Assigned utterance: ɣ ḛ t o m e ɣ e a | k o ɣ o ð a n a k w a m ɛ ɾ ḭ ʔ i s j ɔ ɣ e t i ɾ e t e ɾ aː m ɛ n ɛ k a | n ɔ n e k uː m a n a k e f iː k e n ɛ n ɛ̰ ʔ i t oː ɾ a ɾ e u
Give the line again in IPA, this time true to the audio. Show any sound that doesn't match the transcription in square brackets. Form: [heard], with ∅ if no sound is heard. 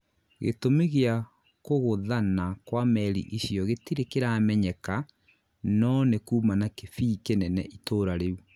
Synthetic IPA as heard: ɣ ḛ t o m e ɣ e a | k o ɣ o ð a n a k w a m ɛ ɾ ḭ ʔ i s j ɔ ɣ e t i ɾ e [k] e ɾ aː m ɛ [ɲ] ɛ k a | n ɔ n e k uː m a n a k e f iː k e n ɛ n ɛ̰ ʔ i t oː ɾ a ɾ e u